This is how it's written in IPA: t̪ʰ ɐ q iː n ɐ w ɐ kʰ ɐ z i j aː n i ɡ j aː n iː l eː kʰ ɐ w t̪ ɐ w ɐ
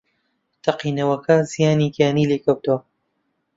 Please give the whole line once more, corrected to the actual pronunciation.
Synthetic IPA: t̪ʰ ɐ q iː n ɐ w ɐ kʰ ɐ z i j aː n i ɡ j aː n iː l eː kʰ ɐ w t̪ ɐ w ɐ